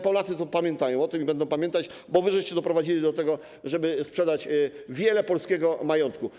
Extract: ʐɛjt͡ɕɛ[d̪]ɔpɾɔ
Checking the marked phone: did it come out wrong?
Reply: no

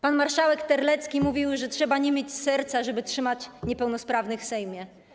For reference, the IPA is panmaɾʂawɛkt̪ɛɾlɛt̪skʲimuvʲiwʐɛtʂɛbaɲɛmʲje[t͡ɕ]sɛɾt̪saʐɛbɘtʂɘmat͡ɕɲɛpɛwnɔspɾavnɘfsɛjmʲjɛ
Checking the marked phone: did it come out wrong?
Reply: no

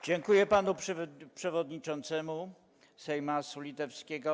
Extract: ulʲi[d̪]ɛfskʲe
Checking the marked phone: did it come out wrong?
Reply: yes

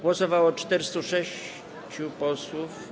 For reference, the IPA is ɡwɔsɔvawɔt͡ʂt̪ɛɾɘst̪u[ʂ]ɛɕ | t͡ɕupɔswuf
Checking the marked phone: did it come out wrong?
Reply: no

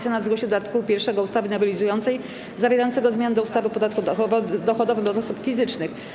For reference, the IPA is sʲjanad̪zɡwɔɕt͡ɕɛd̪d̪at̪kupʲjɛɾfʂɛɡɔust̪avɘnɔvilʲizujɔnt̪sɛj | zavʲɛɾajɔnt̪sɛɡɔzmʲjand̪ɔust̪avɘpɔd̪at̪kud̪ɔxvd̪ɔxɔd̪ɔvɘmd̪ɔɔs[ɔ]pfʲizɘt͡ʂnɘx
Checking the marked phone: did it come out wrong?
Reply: yes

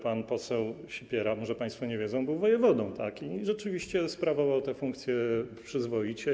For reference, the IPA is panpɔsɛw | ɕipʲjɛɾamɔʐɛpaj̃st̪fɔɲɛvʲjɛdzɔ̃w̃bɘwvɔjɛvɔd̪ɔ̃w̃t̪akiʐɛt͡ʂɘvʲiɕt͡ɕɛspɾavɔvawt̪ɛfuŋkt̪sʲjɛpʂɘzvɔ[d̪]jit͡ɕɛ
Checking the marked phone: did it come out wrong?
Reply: yes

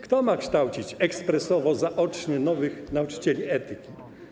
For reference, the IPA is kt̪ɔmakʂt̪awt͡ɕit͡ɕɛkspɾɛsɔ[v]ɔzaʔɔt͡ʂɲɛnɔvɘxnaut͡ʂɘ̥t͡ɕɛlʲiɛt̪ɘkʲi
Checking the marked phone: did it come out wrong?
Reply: no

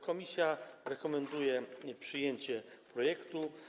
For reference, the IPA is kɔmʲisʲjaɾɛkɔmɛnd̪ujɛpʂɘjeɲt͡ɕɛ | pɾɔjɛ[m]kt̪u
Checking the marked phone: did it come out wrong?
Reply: yes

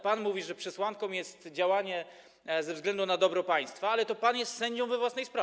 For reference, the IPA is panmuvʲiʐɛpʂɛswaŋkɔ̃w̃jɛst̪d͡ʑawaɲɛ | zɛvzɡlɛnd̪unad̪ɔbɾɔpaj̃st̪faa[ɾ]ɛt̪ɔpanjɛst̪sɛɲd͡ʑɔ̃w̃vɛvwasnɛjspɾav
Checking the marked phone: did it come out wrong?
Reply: yes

